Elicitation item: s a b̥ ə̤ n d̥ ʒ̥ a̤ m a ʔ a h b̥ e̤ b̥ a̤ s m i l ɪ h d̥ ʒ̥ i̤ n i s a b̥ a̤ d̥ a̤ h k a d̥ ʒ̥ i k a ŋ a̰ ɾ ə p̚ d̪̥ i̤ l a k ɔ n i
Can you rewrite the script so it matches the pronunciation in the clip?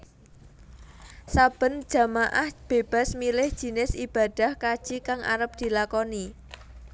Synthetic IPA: s a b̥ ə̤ n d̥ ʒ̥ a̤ m a ʔ a h b̥ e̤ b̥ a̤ s m i l ɪ h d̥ ʒ̥ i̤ n ɪ s i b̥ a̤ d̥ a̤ h k a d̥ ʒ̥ i k a ŋ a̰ ɾ ə p̚ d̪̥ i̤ l a k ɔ n i